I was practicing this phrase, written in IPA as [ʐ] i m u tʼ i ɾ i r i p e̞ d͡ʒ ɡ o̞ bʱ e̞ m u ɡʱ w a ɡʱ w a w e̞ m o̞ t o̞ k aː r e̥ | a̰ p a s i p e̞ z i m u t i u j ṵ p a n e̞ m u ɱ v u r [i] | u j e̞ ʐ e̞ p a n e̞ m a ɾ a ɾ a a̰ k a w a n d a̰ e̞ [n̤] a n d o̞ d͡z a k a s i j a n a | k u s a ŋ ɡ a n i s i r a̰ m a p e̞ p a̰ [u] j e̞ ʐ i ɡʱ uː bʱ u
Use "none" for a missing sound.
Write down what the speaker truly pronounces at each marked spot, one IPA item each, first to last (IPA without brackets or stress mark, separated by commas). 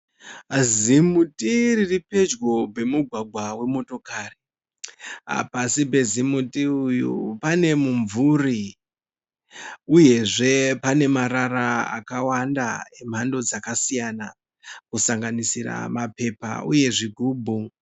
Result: z, i, m̤, u